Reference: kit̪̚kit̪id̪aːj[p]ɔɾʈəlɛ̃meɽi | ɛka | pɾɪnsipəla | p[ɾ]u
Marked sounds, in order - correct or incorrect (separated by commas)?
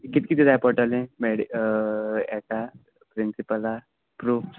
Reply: correct, correct